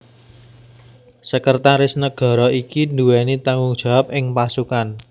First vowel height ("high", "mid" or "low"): mid